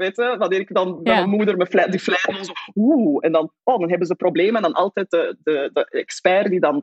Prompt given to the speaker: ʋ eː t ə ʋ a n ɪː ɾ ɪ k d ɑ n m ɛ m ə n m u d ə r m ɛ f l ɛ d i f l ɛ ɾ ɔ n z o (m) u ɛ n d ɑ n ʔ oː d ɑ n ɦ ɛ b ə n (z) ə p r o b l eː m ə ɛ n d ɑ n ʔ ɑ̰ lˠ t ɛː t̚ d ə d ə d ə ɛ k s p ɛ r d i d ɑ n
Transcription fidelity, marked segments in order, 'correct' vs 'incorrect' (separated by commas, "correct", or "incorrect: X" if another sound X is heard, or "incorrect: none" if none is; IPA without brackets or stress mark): incorrect: none, correct